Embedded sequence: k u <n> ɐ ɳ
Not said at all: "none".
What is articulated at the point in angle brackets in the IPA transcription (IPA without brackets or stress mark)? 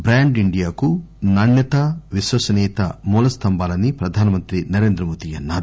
n